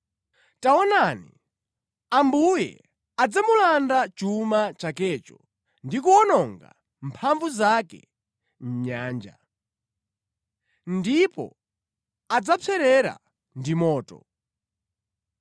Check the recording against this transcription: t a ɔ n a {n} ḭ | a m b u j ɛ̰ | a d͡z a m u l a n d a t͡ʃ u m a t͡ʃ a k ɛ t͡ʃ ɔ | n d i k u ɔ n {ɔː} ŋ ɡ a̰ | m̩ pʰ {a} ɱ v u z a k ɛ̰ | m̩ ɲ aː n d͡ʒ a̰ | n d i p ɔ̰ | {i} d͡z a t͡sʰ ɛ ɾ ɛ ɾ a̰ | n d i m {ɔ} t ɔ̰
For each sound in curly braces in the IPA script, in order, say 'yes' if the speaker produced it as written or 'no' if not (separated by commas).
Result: yes, no, yes, no, no